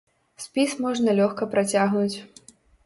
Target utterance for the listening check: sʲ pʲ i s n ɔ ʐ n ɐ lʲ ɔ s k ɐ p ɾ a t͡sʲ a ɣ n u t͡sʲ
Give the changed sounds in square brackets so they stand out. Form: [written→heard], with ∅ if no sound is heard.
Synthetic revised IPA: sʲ pʲ i s [n→m] ɔ ʐ n ɐ lʲ ɔ [s→x] k ɐ p ɾ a t͡sʲ a ɣ n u t͡sʲ